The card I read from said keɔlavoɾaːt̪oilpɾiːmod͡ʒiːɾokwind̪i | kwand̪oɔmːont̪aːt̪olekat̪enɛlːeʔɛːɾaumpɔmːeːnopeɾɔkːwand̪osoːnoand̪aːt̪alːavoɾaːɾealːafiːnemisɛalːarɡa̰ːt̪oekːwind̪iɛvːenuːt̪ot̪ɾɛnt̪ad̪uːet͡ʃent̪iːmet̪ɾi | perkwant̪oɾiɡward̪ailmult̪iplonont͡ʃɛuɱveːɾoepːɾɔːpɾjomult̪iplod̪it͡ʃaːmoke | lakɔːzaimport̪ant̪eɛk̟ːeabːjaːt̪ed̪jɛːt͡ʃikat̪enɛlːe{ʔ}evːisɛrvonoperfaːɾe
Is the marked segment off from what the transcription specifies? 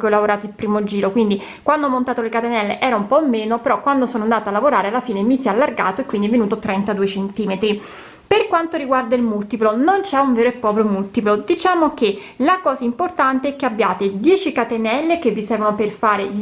yes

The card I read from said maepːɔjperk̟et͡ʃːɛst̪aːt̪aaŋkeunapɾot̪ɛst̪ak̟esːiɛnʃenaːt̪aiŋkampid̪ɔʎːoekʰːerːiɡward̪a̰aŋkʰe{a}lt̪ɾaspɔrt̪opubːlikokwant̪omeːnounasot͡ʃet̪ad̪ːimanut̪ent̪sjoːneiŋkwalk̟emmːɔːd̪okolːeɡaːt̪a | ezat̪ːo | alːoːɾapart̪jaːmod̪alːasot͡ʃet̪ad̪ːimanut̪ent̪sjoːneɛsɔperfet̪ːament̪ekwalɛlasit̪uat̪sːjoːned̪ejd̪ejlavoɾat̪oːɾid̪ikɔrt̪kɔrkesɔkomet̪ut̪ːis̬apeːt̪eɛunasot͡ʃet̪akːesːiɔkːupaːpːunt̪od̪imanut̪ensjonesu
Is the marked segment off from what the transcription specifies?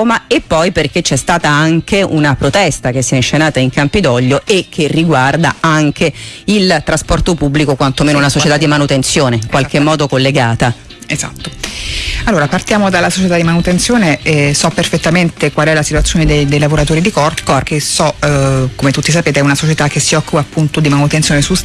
yes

